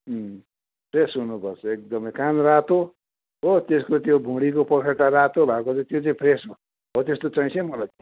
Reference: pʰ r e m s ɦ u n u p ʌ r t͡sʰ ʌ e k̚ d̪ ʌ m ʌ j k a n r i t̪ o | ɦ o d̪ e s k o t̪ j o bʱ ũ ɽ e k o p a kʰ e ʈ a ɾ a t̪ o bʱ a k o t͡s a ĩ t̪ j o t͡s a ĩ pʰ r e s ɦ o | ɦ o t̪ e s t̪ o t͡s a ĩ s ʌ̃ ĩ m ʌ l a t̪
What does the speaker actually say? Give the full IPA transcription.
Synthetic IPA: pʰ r e s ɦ u n u p ʌ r t͡sʰ ʌ e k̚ d̪ ʌ m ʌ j k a n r a t̪ o | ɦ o t̪ e s k o t̪ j o bʱ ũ ɽ i k o p ʌ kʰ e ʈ a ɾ a t̪ o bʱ a k o t͡s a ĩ t̪ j o t͡s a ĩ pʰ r e s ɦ o | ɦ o t̪ e s t̪ o t͡s a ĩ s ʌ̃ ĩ m ʌ l a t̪

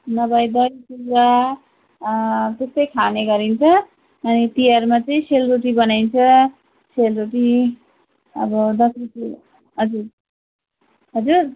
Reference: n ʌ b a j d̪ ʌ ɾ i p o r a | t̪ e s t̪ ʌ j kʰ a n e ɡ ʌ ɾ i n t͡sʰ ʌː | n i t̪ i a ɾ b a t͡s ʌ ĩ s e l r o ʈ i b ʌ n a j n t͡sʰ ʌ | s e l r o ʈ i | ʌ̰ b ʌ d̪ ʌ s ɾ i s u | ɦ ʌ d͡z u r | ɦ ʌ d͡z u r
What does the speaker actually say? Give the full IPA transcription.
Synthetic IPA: n ʌ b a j d̪ ʌ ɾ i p u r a | t̪ e s t̪ ʌ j kʰ a n e ɡ ʌ ɾ i n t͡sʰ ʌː | n i t̪ i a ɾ m a t͡s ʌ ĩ s e l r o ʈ i b ʌ n a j n t͡sʰ ʌ | s e l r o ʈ i | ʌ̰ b ʌ d̪ ʌ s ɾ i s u | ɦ ʌ d͡z u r | ɦ ʌ d͡z u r

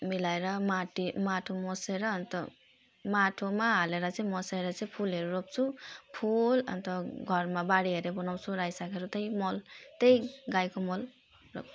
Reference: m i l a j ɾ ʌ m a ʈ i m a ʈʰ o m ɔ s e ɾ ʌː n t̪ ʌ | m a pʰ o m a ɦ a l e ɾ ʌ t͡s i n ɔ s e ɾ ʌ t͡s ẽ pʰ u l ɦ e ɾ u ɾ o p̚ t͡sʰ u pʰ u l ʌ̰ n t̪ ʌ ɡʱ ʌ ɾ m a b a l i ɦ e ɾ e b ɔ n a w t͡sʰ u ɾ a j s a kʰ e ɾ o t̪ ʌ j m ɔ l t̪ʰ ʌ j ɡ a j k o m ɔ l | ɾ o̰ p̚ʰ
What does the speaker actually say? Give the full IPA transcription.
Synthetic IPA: m i l a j ɾ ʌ m a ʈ i m a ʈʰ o m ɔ s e ɾ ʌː n t̪ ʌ | m a ʈʰ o m a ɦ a l e ɾ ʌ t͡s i m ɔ s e ɾ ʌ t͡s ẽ pʰ u l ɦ e ɾ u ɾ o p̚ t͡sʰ u pʰ u l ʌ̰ n t̪ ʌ ɡʱ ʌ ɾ m a b a ɽ i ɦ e ɾ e b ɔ n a w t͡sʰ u ɾ a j s a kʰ e ɾ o t̪ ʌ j m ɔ l t̪ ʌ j ɡ a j k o m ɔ l | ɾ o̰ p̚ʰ

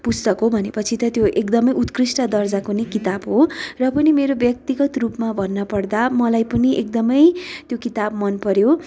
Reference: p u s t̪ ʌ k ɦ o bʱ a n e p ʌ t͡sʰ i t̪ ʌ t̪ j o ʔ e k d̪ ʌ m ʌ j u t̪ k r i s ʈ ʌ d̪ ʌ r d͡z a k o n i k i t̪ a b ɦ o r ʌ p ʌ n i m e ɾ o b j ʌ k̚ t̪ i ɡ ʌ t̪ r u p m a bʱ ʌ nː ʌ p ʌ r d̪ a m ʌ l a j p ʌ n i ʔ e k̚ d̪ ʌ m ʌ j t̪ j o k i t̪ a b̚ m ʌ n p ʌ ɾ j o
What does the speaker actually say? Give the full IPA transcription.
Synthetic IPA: p u s t̪ ʌ k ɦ o bʱ ʌ n e p ʌ t͡sʰ i t̪ ʌ t̪ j o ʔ e k d̪ ʌ m ʌ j u t̪ k r i s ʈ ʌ d̪ ʌ r d͡z a k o n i k i t̪ a b ɦ o r ʌ p ʌ n i m e ɾ o b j ʌ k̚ t̪ i ɡ ʌ t̪ r u p m a bʱ ʌ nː ʌ p ʌ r d̪ a m ʌ l a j p ʌ n i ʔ e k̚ d̪ ʌ m ʌ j t̪ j o k i t̪ a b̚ m ʌ n p ʌ ɾ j o

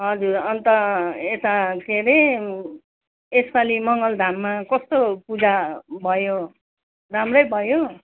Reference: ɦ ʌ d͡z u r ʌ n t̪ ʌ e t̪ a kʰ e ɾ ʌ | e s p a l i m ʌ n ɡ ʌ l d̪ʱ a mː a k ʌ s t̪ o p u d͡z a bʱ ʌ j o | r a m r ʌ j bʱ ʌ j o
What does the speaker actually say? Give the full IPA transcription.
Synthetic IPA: ɦ ʌ d͡z u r ʌ n t̪ ʌ e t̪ a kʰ e ɾ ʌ | e s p a l i m ʌ ŋ ɡ ʌ l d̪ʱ a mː a k ʌ s t̪ o p u d͡z a bʱ ʌ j o | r a m r ʌ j bʱ ʌ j o

